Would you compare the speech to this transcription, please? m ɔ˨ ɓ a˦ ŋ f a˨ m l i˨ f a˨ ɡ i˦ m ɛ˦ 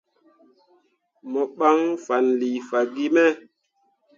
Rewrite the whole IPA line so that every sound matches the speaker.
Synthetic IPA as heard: m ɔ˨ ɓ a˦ ŋ f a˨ n l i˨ f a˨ ɡ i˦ m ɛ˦